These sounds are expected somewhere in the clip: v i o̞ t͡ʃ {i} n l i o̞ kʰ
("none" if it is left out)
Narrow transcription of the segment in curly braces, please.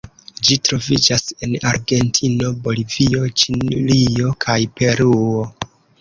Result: i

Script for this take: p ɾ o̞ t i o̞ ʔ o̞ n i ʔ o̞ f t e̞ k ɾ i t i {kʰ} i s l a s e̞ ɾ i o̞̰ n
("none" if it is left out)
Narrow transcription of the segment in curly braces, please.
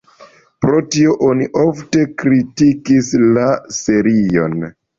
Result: k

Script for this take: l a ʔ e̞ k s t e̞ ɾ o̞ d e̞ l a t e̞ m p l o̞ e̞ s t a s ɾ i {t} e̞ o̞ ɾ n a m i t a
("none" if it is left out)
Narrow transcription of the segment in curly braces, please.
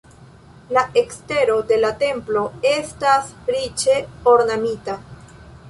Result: t͡ʃ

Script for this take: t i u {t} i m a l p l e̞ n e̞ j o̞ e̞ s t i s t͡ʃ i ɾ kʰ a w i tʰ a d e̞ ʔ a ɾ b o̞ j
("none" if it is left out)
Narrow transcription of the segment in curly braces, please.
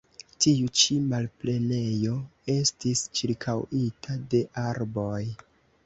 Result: t͡ʃ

